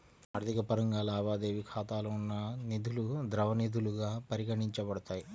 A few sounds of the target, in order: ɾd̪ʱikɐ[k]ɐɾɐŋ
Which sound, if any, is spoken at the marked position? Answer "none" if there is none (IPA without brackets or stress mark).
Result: p